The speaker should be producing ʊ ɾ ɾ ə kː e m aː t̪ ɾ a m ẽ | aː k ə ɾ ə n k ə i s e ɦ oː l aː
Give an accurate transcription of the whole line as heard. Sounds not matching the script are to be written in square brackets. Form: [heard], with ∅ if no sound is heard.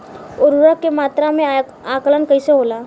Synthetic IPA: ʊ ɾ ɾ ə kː e m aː t̪ ɾ a m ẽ | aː k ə [l] ə n k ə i s e ɦ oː l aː